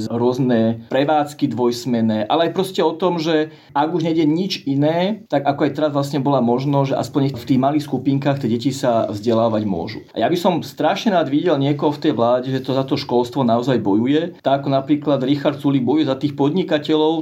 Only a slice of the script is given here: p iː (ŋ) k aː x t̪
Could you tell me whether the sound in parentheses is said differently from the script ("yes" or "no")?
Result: no